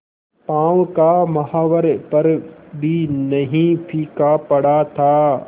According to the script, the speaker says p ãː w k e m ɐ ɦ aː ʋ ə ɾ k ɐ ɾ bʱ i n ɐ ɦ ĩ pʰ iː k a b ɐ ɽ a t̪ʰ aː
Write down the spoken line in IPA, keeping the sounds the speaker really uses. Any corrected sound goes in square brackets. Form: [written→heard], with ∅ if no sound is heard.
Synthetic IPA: p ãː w k [e→a] m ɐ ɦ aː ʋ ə ɾ [k→p] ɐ ɾ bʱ i n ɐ ɦ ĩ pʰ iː k a [b→p] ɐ ɽ a t̪ʰ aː